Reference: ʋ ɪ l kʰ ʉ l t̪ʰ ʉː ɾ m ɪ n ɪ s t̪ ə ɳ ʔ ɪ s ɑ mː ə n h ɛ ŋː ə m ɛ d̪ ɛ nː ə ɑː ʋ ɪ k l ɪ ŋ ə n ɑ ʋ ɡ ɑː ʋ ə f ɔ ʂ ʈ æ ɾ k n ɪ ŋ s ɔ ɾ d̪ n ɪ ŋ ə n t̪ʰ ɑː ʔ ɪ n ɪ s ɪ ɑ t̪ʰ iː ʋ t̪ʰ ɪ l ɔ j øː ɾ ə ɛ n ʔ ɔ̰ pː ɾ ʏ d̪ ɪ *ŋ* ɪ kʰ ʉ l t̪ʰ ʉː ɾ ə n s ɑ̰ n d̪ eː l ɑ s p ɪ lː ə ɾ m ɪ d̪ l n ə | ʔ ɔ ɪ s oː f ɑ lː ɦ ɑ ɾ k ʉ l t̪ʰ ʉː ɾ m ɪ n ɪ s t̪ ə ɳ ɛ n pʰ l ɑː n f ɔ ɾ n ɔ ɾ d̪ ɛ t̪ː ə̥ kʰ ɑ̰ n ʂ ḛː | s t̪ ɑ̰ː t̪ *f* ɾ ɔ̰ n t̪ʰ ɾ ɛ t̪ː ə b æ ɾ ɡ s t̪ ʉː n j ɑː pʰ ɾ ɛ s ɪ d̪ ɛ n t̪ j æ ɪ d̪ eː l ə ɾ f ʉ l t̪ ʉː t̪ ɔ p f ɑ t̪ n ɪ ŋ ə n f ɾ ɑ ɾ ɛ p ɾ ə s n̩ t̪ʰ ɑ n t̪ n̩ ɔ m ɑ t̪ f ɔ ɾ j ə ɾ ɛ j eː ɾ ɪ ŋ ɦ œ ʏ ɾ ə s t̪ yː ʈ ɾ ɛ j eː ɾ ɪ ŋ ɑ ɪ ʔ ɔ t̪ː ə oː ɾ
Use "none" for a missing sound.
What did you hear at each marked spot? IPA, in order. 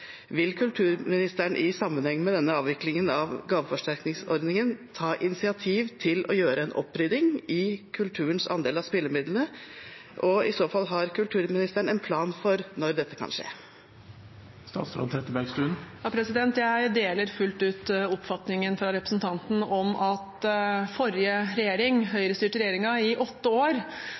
ŋ, s

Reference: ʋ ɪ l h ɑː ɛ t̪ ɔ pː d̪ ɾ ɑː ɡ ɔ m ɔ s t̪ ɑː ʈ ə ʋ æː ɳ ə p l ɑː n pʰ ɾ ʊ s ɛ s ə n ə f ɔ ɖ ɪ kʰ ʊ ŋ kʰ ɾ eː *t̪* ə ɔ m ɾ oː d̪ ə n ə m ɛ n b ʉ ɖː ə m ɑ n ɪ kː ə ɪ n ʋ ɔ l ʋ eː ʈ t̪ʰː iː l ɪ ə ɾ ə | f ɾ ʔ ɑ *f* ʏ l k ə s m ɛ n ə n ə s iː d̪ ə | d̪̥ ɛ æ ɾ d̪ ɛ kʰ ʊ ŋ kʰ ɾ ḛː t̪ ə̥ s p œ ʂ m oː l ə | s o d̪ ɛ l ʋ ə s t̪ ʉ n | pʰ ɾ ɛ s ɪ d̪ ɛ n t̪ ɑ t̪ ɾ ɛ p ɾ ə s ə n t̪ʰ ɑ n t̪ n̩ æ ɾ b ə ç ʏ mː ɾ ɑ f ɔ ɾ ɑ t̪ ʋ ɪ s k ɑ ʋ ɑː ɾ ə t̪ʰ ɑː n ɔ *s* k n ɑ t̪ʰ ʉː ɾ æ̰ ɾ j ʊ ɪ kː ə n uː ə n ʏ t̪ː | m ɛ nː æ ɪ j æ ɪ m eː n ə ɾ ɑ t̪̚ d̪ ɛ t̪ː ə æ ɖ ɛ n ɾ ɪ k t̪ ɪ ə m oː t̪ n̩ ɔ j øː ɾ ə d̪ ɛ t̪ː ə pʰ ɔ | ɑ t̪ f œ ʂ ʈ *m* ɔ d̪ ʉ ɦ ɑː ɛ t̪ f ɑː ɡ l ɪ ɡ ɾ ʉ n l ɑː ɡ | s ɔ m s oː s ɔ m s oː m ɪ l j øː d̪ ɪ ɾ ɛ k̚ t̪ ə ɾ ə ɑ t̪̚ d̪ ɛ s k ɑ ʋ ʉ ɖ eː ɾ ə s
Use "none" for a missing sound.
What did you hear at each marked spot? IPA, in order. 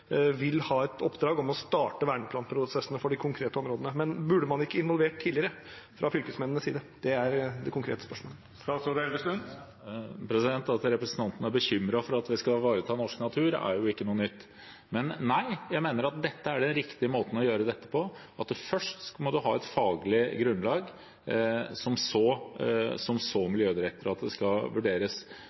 t̪, f, ʂ, m

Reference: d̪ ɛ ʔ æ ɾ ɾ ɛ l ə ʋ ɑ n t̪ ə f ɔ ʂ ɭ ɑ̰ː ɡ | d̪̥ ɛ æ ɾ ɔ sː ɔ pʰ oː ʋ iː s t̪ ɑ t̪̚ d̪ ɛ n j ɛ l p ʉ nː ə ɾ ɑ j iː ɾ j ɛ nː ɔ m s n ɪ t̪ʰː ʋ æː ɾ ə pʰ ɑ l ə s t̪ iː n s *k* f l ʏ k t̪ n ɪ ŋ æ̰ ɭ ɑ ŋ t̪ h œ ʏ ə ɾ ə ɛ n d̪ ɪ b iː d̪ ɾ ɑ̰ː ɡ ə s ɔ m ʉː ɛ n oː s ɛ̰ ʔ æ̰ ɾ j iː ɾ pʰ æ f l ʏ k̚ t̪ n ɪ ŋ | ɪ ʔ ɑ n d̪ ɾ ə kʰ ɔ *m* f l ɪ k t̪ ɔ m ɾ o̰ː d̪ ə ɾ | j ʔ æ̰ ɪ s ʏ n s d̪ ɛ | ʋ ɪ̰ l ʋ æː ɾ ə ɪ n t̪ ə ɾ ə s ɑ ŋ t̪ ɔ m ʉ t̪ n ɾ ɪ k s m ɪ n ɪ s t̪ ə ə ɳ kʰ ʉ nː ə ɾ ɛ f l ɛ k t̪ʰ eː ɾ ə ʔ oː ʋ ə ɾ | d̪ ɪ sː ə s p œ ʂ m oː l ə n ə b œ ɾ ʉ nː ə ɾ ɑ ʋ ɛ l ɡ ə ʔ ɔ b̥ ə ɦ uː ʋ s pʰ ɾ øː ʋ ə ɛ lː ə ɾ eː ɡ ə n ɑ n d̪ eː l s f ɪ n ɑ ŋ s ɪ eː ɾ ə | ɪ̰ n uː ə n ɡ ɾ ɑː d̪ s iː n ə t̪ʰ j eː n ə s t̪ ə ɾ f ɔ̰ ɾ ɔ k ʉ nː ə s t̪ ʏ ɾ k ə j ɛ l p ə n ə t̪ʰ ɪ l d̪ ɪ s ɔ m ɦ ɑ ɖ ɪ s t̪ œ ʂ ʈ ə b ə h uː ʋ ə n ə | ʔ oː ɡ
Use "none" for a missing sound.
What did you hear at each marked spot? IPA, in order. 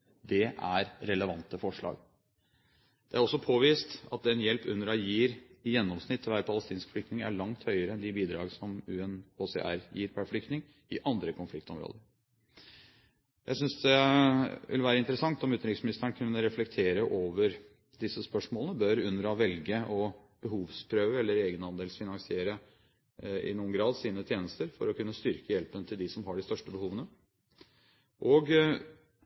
k, n

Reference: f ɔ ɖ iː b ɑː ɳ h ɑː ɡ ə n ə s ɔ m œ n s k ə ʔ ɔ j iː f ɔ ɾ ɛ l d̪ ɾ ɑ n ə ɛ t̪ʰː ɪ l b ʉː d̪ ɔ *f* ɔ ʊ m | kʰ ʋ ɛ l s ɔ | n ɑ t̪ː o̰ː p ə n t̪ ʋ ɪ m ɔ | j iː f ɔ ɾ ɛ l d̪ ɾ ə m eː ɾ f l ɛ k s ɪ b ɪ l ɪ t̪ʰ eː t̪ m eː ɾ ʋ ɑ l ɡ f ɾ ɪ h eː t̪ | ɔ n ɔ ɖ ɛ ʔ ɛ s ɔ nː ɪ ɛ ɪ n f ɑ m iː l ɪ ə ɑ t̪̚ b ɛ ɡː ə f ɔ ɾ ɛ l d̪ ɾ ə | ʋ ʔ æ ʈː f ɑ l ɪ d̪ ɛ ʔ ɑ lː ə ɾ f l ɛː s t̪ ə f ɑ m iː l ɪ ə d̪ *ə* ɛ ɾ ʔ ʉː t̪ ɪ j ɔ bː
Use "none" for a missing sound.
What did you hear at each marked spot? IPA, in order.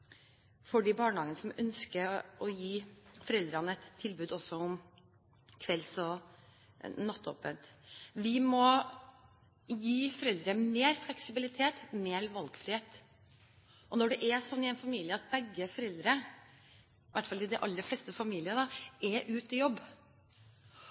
s, ɑ

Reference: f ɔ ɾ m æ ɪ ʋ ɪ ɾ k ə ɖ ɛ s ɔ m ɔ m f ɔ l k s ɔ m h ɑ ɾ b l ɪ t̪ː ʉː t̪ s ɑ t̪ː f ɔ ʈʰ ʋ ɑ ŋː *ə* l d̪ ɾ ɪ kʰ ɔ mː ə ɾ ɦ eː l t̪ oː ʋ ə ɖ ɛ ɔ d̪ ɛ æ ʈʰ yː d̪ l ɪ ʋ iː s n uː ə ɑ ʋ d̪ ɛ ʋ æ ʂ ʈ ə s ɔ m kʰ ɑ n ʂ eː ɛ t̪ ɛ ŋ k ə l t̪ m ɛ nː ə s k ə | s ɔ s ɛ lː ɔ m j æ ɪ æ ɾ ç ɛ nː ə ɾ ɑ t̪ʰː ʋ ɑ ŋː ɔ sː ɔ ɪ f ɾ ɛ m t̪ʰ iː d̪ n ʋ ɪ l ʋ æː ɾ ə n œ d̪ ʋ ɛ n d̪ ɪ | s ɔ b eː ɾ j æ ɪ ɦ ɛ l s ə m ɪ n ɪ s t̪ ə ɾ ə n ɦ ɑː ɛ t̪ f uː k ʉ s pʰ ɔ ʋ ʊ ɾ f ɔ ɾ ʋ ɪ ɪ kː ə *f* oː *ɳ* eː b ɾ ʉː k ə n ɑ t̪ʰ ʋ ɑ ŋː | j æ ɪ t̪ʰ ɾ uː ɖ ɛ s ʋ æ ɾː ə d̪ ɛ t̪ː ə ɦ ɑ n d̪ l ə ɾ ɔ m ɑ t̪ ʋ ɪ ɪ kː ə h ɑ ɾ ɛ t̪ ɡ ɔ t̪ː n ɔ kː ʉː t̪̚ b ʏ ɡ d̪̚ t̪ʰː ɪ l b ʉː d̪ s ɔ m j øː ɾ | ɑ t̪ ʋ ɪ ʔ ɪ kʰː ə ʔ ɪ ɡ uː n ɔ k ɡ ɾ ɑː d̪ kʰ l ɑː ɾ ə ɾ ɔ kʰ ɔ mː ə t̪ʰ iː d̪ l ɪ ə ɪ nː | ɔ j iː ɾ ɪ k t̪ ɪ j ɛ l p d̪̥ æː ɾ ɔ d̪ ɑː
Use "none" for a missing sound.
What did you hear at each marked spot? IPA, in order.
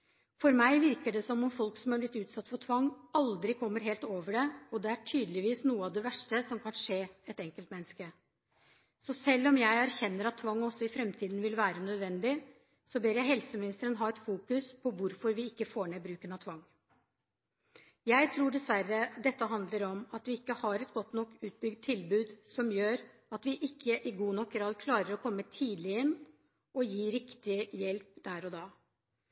ɑ, f, ɳ

